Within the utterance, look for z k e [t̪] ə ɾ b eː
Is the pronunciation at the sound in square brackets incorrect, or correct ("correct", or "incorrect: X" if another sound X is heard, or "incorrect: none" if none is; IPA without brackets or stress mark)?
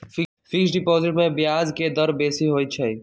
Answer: incorrect: d̪